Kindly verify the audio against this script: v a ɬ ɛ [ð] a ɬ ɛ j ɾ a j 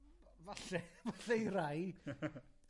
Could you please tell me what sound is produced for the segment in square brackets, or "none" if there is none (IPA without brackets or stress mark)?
v